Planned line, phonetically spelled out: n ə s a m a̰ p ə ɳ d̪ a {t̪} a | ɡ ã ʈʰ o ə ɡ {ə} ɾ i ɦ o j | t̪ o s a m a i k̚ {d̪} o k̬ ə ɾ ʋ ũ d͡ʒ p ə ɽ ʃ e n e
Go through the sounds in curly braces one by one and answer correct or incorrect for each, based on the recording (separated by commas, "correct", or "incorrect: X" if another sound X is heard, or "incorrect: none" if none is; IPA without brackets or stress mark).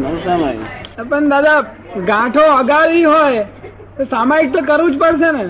incorrect: d̪, incorrect: a, incorrect: t̪